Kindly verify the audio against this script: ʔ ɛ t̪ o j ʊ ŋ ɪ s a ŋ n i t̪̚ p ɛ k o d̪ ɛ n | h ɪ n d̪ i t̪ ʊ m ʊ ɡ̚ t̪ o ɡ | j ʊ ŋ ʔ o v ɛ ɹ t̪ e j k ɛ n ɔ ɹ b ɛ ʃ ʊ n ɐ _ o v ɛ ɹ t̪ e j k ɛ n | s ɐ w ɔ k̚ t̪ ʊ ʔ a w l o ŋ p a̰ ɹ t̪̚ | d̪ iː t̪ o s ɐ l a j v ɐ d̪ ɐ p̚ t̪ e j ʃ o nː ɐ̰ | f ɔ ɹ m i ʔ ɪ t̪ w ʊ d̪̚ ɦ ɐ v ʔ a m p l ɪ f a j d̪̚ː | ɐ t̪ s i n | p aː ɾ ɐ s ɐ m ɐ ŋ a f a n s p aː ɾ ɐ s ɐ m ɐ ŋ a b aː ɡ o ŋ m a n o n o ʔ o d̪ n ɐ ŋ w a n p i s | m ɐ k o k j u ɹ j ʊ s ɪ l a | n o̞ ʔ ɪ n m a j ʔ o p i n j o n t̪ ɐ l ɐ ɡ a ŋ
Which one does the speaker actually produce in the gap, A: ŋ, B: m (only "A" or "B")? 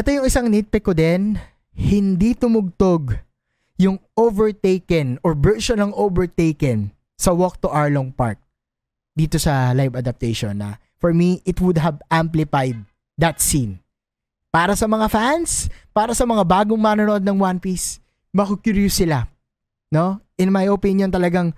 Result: A